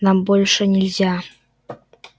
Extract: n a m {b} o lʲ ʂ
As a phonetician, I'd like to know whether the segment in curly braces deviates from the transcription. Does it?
no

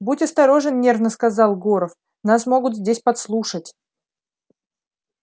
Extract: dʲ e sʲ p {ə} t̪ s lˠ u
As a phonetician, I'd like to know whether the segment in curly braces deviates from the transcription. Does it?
yes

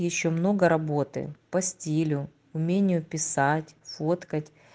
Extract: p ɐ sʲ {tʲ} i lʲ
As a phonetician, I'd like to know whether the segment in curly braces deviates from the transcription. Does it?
no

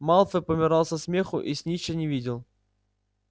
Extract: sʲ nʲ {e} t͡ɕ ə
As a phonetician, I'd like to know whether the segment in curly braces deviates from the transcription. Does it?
yes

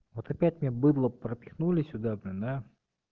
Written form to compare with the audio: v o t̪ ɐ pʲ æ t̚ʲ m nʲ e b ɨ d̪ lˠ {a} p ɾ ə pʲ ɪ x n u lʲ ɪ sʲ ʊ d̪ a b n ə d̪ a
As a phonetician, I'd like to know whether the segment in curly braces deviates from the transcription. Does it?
yes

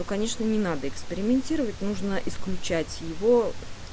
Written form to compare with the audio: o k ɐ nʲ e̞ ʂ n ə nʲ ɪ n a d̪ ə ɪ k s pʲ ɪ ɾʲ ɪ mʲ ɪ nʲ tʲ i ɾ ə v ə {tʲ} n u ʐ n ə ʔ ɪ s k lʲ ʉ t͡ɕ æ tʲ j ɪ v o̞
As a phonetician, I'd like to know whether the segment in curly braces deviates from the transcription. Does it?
no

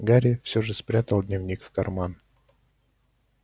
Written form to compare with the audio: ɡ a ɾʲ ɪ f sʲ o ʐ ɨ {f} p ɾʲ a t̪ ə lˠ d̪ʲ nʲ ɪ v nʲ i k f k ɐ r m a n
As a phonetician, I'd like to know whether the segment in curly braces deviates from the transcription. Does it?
yes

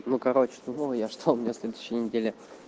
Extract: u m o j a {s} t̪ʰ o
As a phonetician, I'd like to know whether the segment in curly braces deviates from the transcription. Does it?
yes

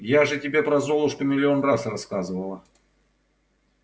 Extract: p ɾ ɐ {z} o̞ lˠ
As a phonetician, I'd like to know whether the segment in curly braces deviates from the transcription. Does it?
no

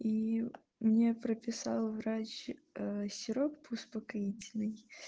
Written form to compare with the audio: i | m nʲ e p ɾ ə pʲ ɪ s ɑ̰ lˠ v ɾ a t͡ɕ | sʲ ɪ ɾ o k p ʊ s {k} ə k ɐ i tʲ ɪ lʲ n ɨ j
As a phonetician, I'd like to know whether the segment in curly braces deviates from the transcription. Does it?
yes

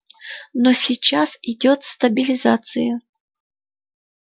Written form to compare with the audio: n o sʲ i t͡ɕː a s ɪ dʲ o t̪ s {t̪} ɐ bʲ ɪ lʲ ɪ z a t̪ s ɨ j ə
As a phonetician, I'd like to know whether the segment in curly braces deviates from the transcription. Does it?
no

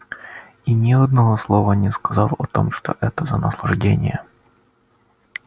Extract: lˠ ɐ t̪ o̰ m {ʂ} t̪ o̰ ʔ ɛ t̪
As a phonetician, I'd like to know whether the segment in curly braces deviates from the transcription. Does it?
no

